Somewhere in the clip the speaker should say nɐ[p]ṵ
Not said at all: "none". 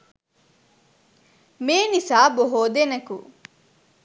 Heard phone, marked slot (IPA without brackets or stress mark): k